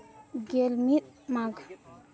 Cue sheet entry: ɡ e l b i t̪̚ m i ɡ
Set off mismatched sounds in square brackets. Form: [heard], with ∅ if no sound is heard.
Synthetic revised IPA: ɡ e l [m] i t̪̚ m [a] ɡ

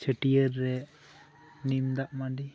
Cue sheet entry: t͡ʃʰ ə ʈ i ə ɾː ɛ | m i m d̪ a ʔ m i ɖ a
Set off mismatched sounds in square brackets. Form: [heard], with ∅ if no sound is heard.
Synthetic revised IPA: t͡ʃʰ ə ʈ i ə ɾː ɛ | [n] i m d̪ a ʔ m [a] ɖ [i]

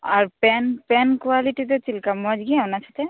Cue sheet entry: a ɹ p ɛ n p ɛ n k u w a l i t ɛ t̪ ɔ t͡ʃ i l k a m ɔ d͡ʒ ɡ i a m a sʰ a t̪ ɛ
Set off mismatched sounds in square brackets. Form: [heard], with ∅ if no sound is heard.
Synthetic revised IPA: a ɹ p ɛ n p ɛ n k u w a l i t [i] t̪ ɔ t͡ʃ i l k a m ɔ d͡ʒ ɡ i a [n] a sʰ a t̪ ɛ

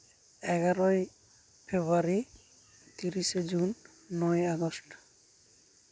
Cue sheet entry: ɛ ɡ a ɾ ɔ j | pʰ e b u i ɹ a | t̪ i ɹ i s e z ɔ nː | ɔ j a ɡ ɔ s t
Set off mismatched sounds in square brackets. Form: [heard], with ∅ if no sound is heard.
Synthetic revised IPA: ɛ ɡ a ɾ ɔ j | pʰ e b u [a] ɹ [i] | t̪ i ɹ i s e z [u] nː | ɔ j a ɡ ɔ s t

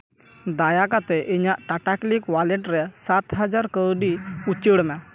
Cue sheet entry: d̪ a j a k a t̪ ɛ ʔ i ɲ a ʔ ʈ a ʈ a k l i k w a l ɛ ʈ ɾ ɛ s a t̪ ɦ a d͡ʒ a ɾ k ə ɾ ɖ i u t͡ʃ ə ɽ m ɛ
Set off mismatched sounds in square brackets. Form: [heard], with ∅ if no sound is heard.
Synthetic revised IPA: d̪ a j a k a t̪ ɛ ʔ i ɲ a ʔ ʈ a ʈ a k l i k w a l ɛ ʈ ɾ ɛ s a t̪ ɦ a d͡ʒ a ɾ k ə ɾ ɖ i u t͡ʃ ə ɽ m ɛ

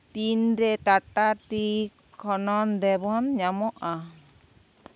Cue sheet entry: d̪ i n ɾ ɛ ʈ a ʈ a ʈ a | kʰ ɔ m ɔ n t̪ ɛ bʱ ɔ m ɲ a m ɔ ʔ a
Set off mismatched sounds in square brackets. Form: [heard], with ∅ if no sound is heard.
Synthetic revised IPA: [t̪] i n ɾ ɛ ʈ a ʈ a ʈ [i] | kʰ ɔ [n] ɔ n [d̪] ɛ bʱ ɔ [n] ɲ a m ɔ ʔ a

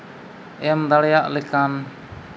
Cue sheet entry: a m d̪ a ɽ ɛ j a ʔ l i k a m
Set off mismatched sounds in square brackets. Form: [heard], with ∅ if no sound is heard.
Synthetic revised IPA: [ɛ] m d̪ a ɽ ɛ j a ʔ l [ɛ] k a [n]

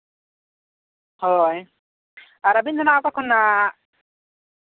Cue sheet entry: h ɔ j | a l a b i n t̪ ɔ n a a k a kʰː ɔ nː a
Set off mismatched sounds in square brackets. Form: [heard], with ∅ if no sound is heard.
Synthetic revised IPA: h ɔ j | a [ɾ] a b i n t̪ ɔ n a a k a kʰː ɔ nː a

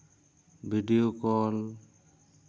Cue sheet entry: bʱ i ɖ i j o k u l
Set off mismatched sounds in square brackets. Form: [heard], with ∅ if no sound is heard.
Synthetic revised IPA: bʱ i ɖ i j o k [ɔ] l

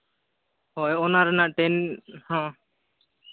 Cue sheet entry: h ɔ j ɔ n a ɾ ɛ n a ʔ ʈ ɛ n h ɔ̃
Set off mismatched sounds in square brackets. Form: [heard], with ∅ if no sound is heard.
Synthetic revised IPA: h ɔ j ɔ n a ɾ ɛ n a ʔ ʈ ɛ n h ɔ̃

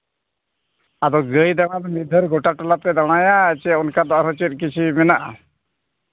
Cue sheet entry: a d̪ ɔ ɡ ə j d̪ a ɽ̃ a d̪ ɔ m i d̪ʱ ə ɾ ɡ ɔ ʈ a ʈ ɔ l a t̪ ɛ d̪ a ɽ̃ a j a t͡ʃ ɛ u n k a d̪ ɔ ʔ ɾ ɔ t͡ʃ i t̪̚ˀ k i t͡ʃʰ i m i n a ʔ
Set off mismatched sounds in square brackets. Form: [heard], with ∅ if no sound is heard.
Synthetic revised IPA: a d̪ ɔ ɡ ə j d̪ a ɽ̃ a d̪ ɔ m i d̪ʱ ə ɾ ɡ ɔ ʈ a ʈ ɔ l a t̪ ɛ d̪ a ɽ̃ a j a t͡ʃ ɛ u n k a d̪ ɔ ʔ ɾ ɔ t͡ʃ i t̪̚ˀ k i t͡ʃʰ i m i n a ʔ

